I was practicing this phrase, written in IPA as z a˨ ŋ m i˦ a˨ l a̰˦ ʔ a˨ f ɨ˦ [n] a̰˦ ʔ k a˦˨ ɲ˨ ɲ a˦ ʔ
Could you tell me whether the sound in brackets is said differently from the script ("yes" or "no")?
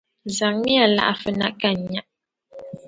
no